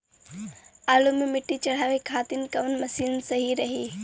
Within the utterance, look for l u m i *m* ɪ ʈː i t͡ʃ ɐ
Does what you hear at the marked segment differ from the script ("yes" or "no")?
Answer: no